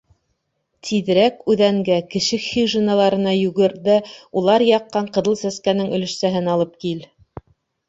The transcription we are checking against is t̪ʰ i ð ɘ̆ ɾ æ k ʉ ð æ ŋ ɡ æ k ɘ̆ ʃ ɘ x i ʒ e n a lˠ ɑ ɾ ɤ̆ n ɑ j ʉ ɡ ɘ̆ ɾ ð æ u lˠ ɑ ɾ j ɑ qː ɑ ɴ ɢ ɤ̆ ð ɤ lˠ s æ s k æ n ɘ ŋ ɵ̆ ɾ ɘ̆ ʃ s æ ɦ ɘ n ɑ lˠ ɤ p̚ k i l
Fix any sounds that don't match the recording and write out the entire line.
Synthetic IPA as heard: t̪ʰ i ð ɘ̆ ɾ æ k ʉ ð æ ŋ ɡ æ k ɘ̆ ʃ ɘ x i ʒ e n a lˠ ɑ ɾ ɤ̆ n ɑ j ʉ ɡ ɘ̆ ɾ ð æ u lˠ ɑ ɾ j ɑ qː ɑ ɴ q ɤ̆ ð ɤ lˠ s æ s k æ n ɘ ŋ ɵ̆ l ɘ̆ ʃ s æ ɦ ɘ n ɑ lˠ ɤ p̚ k i l